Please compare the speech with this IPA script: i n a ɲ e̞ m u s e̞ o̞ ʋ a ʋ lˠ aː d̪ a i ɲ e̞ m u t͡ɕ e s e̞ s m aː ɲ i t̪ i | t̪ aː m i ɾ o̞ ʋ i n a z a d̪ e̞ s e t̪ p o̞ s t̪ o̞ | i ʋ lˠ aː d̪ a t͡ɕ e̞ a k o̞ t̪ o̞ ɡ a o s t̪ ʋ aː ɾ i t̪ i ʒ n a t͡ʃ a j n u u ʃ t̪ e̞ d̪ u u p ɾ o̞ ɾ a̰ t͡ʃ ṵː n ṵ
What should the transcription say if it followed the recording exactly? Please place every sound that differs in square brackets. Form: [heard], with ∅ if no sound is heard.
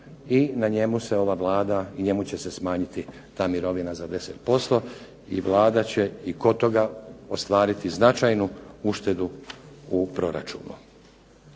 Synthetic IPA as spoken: i n a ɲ e̞ m u s e̞ o̞ ʋ a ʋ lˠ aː d̪ a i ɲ e̞ m u t͡ɕ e s e̞ s m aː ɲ i t̪ i | t̪ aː m i ɾ o̞ ʋ i n a z a d̪ e̞ s e t̪ p o̞ s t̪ o̞ | i ʋ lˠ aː d̪ a t͡ɕ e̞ [i] k o̞ t̪ o̞ ɡ a o s t̪ ʋ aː ɾ i t̪ i [z] n a t͡ʃ a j n u u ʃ t̪ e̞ d̪ u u p ɾ o̞ ɾ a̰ t͡ʃ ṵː n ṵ